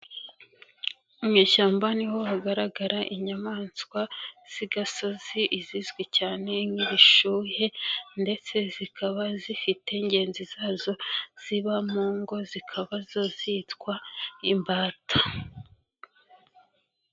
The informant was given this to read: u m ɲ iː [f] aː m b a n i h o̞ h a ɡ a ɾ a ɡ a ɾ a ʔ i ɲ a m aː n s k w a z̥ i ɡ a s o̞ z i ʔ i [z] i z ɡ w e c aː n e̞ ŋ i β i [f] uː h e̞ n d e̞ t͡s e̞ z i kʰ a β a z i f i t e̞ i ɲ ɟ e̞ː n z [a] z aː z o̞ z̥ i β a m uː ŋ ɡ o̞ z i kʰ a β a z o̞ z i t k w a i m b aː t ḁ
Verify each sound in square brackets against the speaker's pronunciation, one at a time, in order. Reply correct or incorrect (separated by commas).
incorrect, correct, incorrect, incorrect